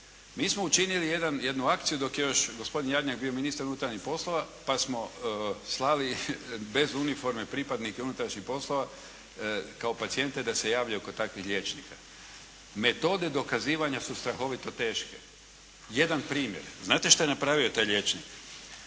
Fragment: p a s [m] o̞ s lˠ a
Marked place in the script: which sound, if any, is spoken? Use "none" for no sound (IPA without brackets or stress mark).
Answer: m